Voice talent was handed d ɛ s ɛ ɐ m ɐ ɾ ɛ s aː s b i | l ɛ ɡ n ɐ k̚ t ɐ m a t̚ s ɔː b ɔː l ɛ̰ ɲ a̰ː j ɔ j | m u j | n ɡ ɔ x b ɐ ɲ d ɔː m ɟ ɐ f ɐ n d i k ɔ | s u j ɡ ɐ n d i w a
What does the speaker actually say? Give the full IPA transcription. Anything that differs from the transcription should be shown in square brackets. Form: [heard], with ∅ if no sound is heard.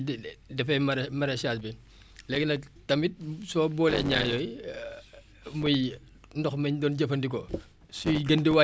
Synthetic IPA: d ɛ [f] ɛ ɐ m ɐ ɾ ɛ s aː s b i | l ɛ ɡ n ɐ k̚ t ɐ m [i] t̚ s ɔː b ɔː l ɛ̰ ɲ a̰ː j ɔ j | m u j | n [d] ɔ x [m] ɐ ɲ d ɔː [n] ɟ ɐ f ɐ n d i k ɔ | s u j ɡ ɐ n d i w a